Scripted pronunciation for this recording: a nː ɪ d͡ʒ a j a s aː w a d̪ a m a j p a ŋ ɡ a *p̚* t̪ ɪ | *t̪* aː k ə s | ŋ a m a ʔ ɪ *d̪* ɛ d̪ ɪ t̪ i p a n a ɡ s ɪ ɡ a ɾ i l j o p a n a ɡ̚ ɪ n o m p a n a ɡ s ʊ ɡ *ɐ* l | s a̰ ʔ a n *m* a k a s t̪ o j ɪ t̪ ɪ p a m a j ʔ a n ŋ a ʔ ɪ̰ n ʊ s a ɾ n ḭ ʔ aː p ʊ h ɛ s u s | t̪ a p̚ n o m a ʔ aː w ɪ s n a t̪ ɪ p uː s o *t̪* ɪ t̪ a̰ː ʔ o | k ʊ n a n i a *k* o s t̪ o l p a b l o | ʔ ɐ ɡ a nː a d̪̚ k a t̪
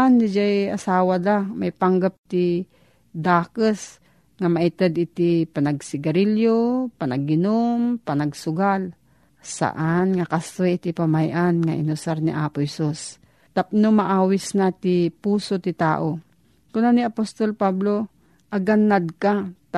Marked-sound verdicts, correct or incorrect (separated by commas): correct, incorrect, incorrect, incorrect, incorrect, correct, incorrect